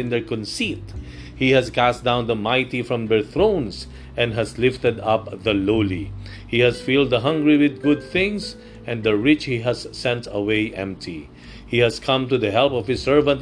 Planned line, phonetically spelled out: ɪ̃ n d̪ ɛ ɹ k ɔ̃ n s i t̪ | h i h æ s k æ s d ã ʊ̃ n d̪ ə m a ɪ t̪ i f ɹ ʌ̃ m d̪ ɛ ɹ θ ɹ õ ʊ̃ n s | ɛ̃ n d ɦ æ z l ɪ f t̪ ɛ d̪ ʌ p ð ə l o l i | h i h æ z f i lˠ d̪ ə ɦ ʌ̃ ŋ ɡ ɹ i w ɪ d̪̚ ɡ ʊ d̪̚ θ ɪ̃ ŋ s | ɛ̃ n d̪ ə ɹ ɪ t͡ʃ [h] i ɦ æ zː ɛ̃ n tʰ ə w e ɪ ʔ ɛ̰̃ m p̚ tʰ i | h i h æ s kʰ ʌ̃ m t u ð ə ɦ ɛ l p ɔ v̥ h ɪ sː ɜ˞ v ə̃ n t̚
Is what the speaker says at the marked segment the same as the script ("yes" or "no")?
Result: yes